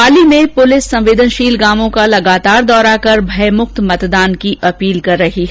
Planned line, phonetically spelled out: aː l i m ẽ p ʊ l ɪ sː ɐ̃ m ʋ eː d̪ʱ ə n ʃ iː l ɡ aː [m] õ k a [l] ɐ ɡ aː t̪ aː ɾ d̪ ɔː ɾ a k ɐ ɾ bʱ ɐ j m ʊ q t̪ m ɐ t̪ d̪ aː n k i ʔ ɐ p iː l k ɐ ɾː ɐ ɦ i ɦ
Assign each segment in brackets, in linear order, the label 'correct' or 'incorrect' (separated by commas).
correct, correct